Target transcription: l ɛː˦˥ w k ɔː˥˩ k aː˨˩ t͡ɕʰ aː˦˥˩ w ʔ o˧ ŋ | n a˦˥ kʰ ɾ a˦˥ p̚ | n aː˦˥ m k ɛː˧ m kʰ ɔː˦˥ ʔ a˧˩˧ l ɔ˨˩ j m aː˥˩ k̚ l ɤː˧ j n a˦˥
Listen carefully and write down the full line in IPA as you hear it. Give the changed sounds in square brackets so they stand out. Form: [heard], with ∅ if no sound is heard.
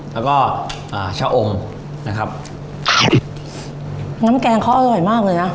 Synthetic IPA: l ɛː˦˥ w k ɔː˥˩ [ʔ] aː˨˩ t͡ɕʰ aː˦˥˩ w ʔ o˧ ŋ | n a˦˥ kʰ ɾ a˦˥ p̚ | n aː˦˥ m k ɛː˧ [ŋ] kʰ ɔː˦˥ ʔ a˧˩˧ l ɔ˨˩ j m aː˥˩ k̚ l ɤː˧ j n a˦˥